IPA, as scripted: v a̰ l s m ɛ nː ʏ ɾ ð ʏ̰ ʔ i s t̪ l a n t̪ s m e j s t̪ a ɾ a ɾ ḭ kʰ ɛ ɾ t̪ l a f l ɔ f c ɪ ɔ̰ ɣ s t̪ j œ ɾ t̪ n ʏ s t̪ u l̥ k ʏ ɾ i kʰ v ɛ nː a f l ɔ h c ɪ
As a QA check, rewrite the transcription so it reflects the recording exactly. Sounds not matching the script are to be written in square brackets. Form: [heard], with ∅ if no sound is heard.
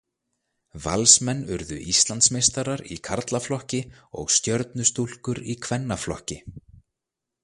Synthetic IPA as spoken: v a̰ l s m ɛ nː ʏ ɾ ð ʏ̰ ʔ i s t̪ l a n t̪ s m e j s t̪ a ɾ a ɾ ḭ kʰ [a] ɾ t̪ l a f l ɔ [h] c ɪ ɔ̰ ɣ s t̪ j œ ɾ t̪ n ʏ s t̪ u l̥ k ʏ ɾ i kʰ v ɛ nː a f l ɔ h c ɪ